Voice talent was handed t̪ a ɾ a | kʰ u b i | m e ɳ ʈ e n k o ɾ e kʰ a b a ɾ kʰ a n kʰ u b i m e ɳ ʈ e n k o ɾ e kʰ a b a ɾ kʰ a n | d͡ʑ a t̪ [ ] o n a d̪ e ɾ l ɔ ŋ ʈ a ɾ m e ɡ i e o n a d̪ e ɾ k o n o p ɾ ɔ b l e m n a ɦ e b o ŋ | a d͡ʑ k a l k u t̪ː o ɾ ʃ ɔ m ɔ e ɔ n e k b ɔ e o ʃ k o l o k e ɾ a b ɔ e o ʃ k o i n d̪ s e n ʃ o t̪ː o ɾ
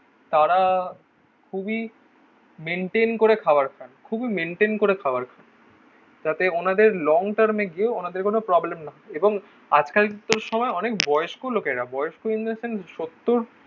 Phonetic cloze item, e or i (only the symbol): e